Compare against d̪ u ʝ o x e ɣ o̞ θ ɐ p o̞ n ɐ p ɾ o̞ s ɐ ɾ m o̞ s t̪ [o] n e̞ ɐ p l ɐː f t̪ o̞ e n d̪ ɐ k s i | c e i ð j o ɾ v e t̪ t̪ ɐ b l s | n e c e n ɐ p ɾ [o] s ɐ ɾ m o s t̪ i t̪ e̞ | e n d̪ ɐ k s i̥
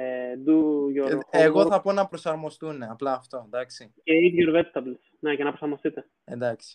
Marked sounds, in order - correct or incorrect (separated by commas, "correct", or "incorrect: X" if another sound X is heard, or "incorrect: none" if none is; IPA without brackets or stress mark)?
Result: incorrect: u, correct